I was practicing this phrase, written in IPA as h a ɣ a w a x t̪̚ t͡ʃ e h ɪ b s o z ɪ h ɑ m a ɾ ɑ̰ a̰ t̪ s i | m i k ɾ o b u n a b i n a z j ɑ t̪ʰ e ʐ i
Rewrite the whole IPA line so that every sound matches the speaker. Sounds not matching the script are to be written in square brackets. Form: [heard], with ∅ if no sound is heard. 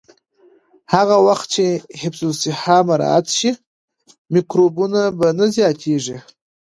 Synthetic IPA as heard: h a ɣ a w a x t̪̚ t͡ʃ e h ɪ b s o [s] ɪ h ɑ m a ɾ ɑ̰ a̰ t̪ [ʃ] i | m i k ɾ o b u n a b [a] n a z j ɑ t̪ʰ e ʐ i